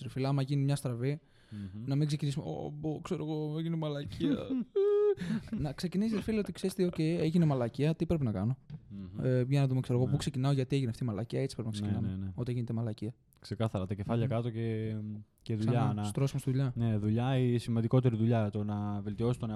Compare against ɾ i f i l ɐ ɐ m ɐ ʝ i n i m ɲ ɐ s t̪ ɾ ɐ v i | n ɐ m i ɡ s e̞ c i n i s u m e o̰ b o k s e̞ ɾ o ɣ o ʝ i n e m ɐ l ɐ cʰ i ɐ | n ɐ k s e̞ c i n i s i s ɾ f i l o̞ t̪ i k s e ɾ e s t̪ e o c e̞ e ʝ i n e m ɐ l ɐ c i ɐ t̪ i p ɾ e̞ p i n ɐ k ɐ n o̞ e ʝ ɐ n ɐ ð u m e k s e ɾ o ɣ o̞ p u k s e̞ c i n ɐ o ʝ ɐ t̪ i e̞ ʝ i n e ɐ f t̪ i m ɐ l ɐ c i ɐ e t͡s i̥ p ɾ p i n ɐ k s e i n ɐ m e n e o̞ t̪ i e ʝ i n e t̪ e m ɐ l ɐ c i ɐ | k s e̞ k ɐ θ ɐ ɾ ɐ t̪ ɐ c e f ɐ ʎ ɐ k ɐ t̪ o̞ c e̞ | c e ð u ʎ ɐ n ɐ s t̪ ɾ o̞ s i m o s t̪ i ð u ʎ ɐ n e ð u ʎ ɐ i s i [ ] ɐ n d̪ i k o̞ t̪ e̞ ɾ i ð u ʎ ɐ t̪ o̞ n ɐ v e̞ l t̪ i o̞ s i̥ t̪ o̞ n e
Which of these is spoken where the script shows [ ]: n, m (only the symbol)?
m